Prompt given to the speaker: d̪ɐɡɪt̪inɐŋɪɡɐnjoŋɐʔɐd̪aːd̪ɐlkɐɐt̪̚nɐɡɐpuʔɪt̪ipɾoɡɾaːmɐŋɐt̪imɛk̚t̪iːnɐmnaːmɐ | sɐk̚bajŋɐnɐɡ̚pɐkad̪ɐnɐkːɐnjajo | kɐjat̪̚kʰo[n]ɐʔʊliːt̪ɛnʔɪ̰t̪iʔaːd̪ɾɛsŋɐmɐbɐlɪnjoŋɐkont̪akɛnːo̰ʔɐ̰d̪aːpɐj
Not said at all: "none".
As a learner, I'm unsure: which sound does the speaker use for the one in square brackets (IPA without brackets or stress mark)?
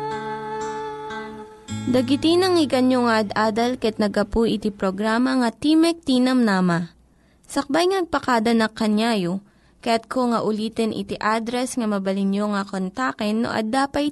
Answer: ŋ